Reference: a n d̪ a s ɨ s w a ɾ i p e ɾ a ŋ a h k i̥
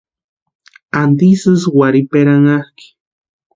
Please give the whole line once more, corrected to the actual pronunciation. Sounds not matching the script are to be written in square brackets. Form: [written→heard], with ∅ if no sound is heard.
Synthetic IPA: a n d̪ [a→i] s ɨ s w a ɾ i p e ɾ a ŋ a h k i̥